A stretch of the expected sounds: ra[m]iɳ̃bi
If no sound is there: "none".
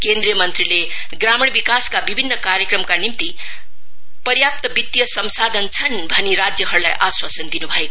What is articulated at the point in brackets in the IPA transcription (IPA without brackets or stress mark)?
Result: m